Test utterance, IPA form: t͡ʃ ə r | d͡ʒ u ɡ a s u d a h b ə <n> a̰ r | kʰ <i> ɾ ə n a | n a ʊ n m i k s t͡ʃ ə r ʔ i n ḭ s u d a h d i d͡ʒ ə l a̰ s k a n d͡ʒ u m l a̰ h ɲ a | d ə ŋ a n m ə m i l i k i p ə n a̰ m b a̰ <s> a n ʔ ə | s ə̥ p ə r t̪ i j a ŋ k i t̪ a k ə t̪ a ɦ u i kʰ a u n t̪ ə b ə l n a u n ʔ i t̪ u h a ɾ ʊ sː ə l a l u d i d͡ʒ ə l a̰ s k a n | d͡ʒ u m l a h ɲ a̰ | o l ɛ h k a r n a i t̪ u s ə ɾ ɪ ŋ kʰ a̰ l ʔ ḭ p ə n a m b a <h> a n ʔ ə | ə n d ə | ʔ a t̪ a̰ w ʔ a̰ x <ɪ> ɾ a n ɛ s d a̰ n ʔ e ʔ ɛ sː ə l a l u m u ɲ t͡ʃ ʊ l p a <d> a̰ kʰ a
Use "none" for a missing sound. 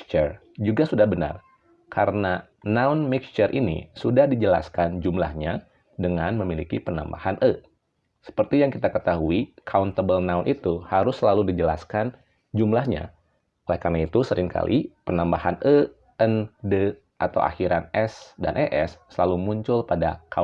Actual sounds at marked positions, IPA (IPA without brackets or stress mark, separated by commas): n, a, h, h, i, d